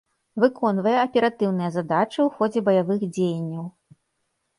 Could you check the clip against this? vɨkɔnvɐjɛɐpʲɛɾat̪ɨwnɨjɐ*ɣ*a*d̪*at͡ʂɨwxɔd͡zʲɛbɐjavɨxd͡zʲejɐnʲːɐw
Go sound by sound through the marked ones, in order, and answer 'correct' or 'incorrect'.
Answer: incorrect: z, correct

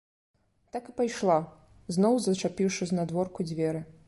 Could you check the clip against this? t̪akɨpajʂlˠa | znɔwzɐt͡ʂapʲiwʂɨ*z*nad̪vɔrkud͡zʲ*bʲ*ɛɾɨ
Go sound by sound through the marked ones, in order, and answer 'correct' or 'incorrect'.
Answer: correct, incorrect: vʲ

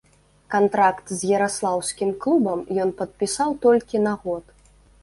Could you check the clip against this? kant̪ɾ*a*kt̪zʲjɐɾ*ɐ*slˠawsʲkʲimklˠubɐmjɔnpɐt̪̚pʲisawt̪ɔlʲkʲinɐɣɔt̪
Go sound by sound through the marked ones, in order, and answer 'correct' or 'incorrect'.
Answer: correct, incorrect: a

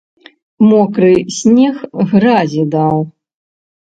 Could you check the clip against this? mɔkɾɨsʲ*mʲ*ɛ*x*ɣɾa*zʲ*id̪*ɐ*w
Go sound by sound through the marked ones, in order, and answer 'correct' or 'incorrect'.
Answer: incorrect: nʲ, correct, correct, incorrect: a

